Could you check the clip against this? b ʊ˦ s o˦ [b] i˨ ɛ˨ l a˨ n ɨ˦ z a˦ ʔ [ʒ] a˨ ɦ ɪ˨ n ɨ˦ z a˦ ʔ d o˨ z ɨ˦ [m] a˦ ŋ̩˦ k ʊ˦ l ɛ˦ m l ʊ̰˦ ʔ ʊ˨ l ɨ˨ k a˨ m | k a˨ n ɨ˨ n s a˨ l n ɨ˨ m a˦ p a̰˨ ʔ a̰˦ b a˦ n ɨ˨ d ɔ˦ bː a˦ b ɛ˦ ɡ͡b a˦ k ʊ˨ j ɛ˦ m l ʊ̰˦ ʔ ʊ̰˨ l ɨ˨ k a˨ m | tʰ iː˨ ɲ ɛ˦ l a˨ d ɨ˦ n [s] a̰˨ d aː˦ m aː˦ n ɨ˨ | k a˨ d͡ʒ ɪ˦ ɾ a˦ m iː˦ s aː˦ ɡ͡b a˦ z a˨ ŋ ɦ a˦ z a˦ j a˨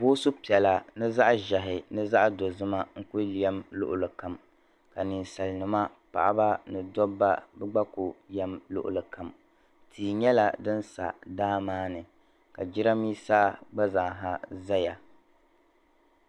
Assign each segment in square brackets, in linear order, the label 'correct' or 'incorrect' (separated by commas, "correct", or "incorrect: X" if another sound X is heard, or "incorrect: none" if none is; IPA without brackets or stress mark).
incorrect: p, correct, correct, correct